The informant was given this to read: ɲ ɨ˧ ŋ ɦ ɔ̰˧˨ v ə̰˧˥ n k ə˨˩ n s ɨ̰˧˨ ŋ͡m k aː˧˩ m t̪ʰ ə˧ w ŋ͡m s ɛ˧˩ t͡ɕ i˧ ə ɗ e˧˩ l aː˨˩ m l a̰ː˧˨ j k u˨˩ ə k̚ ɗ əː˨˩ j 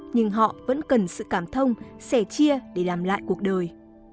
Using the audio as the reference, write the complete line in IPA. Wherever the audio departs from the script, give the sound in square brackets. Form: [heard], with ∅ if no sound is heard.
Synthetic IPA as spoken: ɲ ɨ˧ ŋ ɦ ɔ̰˧˨ v ə̰˧˥ n k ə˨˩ n s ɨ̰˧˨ [∅] k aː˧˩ m t̪ʰ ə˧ w ŋ͡m s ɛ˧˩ t͡ɕ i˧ ə ɗ e˧˩ l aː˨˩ m l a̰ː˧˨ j k u˨˩ ə k̚ ɗ əː˨˩ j